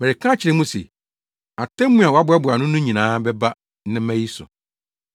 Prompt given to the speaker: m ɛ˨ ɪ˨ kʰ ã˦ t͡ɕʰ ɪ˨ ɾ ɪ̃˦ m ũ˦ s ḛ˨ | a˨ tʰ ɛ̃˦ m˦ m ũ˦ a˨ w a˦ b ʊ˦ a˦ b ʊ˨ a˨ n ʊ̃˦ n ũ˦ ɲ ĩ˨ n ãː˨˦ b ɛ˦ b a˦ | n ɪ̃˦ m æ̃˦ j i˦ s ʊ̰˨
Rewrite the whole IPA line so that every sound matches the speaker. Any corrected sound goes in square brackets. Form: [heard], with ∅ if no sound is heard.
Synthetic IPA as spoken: m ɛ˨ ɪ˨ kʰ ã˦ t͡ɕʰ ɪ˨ ɾ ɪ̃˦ m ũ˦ s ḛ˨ | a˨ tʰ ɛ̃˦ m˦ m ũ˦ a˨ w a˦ b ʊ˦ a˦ b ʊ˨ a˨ n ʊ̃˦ n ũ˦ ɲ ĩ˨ n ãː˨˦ b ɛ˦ b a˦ | n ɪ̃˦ m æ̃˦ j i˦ s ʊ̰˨